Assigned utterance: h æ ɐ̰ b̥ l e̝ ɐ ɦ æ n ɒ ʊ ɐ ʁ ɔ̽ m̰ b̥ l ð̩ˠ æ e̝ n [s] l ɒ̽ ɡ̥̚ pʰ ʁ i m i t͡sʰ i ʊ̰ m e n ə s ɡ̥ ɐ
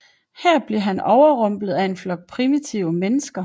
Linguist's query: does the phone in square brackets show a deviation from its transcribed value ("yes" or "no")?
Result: yes